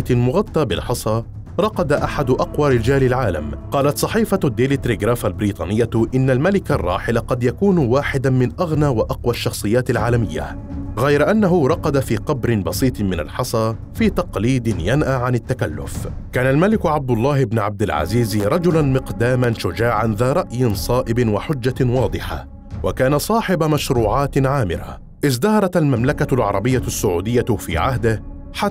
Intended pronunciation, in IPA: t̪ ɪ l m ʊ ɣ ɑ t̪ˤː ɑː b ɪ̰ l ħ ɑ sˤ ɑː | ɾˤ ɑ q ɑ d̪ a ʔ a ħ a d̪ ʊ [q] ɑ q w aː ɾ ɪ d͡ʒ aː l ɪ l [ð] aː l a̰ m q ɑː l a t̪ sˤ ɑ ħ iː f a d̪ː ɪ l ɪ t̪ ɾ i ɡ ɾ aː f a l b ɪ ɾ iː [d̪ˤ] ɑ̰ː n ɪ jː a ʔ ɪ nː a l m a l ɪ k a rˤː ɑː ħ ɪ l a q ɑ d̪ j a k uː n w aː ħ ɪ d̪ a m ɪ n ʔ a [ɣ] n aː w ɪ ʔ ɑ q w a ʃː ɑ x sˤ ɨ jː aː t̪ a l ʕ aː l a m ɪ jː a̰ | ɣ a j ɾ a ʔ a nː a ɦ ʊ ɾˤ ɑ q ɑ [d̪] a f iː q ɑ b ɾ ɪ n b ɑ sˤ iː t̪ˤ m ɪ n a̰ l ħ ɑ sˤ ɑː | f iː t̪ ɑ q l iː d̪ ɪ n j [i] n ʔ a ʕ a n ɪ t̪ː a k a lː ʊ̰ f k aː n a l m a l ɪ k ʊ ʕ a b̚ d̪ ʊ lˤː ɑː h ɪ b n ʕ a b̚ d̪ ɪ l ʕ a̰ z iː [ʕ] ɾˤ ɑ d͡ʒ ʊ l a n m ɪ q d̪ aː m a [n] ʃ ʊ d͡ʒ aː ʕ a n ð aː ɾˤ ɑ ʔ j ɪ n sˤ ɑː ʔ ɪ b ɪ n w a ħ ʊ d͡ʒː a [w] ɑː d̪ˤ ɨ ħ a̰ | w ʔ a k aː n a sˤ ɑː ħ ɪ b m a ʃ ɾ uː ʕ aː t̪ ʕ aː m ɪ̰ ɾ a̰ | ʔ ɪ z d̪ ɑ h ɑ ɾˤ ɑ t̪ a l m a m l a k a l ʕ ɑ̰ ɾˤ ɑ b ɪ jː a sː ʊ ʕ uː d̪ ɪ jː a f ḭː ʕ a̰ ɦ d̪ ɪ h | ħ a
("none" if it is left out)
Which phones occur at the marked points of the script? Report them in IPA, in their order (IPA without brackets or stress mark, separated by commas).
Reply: ʔ, ʕ, t̪ˤ, ɣ, d̪, a, z, n, w